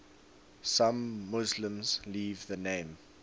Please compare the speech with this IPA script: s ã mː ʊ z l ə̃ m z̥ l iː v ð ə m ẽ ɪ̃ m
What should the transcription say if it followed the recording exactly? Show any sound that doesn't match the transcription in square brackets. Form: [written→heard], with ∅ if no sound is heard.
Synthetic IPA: s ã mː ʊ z l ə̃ m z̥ l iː v ð ə [m→n] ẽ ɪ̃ m